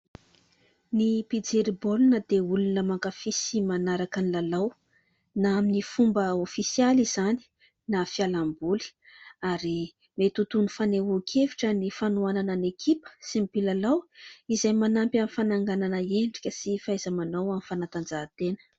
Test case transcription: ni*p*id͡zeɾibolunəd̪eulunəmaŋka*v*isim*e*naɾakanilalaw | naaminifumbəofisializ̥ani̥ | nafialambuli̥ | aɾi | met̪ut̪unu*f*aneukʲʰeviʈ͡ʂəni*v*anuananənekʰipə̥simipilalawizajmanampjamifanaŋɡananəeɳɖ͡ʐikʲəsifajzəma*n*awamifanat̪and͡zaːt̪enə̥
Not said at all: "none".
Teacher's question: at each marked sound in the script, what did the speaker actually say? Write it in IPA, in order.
p, f, a, f, f, n

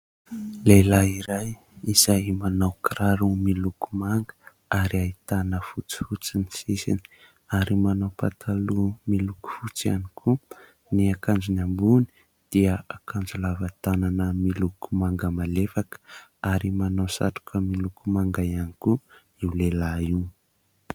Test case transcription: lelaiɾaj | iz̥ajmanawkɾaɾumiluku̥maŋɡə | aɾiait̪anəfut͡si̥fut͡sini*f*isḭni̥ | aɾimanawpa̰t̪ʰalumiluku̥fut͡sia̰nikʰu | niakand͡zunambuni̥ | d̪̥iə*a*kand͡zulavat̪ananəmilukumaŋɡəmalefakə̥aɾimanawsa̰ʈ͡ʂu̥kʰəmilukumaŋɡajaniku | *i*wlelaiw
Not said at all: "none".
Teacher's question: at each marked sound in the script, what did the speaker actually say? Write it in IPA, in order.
s, a, i

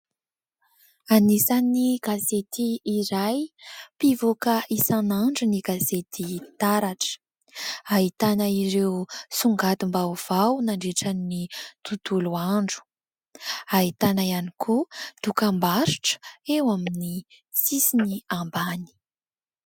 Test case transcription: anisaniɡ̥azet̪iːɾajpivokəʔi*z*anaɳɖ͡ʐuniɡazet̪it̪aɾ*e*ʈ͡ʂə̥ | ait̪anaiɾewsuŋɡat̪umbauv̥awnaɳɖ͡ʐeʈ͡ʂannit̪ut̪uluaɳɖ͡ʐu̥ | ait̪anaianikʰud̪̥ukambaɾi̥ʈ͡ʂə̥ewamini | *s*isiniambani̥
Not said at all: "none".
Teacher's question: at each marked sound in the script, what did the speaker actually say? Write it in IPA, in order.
s, a, t͡s

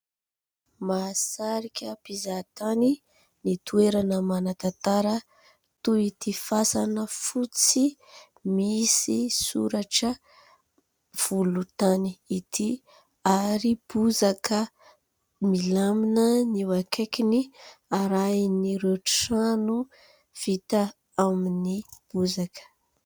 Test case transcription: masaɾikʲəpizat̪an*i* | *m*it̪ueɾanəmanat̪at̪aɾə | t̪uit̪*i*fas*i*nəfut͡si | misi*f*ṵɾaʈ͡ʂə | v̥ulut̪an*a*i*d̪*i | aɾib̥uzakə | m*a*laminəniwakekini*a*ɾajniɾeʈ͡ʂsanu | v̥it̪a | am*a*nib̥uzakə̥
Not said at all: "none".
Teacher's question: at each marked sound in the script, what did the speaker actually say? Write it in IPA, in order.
i, n, i, a, s, i, t̪, i, a, i

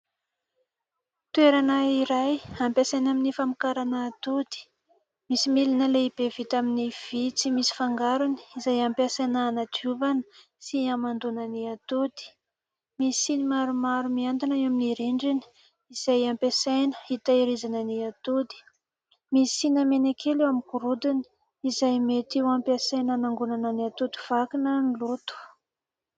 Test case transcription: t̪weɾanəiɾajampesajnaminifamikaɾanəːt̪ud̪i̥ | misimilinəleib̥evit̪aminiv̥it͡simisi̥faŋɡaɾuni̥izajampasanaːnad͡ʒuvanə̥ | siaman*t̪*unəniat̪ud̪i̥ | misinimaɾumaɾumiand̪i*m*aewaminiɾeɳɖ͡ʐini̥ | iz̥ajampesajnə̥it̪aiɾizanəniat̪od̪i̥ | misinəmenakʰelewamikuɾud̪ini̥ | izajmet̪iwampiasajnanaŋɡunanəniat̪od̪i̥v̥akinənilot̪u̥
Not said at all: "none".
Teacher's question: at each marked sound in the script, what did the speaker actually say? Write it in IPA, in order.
d̪, n

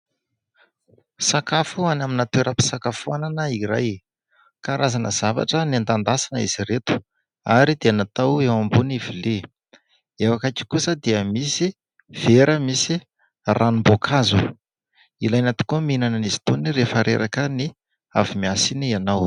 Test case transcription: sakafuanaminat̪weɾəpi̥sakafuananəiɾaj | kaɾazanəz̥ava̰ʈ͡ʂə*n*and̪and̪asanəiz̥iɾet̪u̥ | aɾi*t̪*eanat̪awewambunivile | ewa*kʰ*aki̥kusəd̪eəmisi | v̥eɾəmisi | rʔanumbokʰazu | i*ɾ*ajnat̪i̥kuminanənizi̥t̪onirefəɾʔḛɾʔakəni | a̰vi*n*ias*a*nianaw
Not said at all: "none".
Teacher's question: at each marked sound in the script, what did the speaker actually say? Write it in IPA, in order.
n, d̪, k, l, m, i

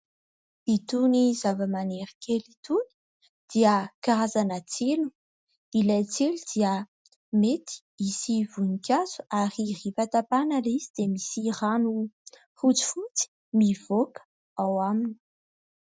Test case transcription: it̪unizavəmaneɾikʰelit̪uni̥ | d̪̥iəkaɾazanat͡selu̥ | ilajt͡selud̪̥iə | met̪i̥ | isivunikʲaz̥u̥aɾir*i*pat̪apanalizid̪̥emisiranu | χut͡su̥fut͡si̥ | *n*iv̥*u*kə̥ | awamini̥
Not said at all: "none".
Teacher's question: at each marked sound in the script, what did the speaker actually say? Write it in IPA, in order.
i, m, o

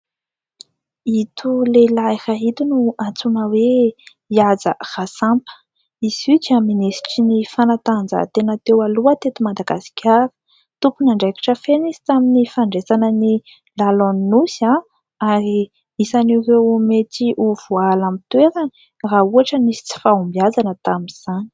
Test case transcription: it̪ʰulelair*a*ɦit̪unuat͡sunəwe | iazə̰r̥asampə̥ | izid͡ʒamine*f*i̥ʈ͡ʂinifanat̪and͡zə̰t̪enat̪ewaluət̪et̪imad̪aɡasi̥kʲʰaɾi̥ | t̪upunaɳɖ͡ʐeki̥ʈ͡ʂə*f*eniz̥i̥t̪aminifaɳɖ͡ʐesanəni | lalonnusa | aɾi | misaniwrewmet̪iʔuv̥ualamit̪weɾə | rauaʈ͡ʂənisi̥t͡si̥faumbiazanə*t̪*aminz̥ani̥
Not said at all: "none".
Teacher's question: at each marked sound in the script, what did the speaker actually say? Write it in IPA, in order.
a, s, f, t̪

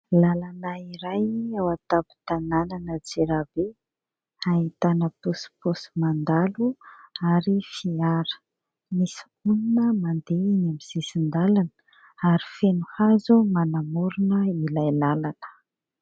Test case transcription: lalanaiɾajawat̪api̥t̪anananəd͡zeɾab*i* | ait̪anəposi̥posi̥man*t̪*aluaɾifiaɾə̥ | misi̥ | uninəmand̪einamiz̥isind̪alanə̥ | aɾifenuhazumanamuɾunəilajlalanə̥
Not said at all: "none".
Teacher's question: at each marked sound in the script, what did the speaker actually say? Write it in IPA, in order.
e, d̪

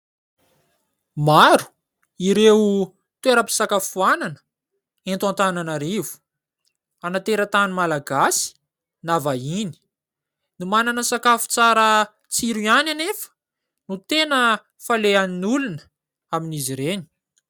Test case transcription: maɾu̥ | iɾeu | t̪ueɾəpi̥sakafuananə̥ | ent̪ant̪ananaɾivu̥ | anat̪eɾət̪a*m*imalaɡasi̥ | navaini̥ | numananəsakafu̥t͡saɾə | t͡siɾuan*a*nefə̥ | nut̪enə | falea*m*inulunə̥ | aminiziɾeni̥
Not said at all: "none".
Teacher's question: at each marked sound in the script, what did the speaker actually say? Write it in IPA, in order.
n, a, n

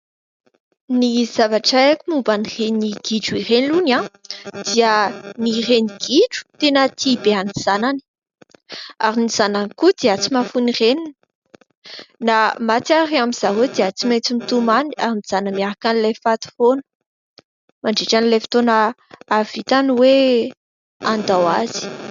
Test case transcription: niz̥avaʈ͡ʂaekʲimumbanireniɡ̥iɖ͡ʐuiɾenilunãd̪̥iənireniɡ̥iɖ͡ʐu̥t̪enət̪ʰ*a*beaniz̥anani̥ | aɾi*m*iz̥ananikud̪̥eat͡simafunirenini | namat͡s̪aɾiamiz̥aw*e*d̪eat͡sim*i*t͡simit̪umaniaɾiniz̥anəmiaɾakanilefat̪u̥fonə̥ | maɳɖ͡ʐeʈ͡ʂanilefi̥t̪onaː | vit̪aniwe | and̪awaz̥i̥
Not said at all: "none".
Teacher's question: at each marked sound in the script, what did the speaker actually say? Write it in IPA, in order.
i, n, e, e

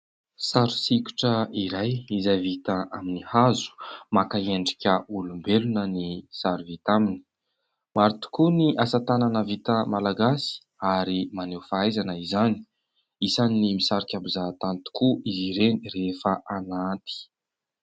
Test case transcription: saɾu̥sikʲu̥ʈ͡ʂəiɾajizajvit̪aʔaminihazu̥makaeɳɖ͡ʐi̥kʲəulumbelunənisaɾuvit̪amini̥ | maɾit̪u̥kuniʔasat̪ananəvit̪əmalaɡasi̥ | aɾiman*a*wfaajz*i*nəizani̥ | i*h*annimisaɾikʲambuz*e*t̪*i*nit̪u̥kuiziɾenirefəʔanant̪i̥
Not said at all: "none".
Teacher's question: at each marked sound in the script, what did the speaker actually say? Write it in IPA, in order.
e, a, s, a, a

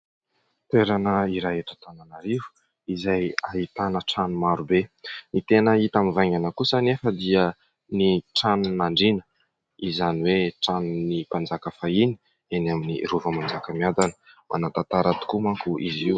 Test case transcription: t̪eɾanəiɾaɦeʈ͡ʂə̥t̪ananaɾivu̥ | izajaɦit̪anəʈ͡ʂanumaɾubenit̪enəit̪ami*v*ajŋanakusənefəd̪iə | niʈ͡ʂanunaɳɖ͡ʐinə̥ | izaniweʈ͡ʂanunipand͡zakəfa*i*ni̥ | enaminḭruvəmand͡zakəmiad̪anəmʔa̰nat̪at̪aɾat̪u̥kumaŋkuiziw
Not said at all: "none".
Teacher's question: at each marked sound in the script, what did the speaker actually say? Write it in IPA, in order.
v, i

